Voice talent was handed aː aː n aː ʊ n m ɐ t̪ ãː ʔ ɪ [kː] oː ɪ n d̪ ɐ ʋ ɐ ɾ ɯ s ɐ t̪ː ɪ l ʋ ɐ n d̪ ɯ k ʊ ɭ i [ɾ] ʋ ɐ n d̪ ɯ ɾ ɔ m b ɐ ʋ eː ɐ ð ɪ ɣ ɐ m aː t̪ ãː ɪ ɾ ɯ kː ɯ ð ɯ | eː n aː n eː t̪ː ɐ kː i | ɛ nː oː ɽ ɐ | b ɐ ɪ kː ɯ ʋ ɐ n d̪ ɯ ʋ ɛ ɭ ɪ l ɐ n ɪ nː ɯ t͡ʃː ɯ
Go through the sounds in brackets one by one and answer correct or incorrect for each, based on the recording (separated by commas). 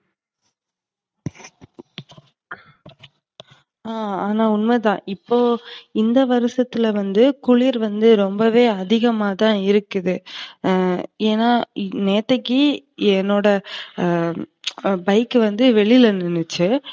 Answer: incorrect, correct